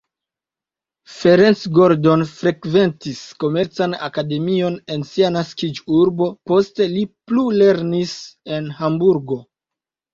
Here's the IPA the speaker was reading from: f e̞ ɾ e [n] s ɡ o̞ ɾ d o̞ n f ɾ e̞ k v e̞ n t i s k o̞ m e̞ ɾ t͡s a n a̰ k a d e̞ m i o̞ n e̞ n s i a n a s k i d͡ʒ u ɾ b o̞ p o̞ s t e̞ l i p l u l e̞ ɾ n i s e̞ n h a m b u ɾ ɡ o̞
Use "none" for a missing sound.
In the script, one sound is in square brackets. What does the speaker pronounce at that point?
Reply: n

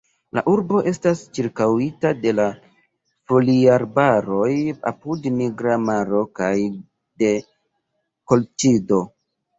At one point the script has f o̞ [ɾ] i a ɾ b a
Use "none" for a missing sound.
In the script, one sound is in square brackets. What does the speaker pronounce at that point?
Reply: l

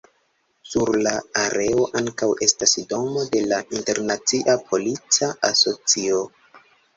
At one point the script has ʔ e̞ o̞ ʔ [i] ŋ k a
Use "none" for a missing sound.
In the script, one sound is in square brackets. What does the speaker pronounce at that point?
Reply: a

